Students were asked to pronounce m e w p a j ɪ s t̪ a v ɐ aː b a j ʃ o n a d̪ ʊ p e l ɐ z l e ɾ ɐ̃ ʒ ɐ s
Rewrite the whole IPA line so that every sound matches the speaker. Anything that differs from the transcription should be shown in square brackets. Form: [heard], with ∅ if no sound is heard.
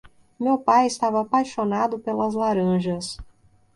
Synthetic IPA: m e w p a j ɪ s t̪ a v ɐ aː [p] a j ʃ o n a d̪ ʊ p e l ɐ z l [a] ɾ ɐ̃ ʒ ɐ s

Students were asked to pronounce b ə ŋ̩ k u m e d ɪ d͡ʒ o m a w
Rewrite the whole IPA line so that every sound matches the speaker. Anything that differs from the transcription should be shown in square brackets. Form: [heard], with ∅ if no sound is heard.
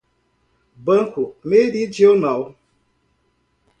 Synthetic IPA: b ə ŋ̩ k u m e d [i] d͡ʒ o [n] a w

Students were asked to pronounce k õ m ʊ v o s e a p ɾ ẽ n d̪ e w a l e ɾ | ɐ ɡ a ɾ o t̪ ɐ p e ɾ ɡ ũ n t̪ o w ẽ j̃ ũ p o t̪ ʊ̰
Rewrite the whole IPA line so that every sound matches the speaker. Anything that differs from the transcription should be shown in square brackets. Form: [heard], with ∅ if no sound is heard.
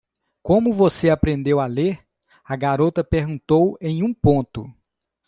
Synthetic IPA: k õ m ʊ v o s e a p ɾ ẽ n d̪ e w a l e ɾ | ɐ ɡ a ɾ o t̪ ɐ p e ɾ ɡ ũ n t̪ o w ẽ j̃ ũ p [õ] t̪ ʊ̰

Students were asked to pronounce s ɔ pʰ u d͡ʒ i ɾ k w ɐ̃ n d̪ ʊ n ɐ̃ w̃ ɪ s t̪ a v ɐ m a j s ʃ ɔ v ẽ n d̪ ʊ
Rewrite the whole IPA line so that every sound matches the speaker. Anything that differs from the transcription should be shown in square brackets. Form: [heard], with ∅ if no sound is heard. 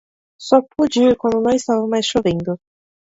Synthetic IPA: s ɔ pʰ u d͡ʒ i ɾ k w ɐ̃ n d̪ ʊ n ɐ̃ w̃ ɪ s t̪ a v ɐ m a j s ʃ [o] v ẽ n d̪ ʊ

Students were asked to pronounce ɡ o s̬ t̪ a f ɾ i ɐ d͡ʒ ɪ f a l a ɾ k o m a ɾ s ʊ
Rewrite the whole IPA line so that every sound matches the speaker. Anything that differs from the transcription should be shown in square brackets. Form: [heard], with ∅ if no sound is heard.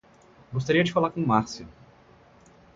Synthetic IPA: ɡ o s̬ t̪ a [∅] ɾ i ɐ d͡ʒ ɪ f a l a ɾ k [õ] m a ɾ s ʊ

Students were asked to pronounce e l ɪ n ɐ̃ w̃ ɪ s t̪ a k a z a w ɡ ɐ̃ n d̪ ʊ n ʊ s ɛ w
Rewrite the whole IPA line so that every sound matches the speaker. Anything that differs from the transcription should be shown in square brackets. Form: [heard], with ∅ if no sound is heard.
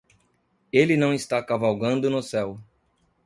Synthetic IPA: e l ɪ n ɐ̃ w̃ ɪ s t̪ a k a [v] a w ɡ ɐ̃ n d̪ ʊ n ʊ s ɛ w

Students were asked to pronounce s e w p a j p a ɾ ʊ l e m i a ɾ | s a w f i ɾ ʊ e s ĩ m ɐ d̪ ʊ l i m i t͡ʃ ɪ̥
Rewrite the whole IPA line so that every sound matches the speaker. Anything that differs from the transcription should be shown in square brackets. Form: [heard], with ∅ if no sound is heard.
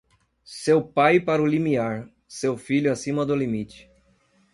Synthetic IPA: s e w p a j p a ɾ ʊ l [i] m i a ɾ | s [e] w f i [ʎ] ʊ [a] s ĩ m ɐ d̪ ʊ l i m i t͡ʃ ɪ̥

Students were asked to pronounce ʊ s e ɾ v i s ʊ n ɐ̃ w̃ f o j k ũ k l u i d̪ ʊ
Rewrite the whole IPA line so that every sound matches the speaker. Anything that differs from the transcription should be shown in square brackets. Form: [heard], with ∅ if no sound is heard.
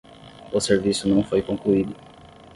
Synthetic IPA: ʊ s e ɾ v i s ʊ n ɐ̃ w̃ f o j k [õ] k l u i d̪ ʊ

